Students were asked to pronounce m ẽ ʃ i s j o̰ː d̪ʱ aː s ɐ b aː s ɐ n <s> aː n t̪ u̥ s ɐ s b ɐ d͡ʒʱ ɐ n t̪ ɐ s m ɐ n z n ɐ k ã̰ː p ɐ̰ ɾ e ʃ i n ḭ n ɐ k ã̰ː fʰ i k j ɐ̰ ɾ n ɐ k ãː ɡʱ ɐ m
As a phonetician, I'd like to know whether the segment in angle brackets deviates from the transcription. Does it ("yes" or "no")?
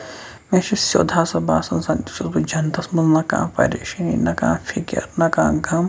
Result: no